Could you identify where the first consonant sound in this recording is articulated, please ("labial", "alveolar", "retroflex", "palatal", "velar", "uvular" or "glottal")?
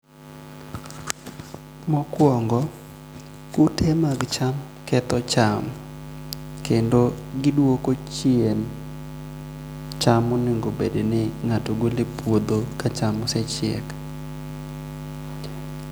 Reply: labial